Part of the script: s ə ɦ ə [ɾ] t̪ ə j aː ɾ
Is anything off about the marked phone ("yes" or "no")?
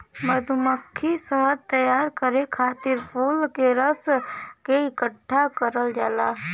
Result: no